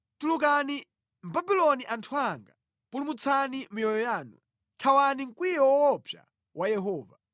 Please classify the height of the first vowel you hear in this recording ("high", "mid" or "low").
high